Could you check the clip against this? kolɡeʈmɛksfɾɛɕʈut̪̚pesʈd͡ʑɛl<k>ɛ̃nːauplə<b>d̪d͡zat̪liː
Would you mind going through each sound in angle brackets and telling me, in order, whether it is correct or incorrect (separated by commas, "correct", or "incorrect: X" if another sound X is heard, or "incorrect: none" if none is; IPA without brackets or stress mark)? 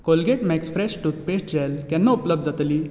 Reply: correct, correct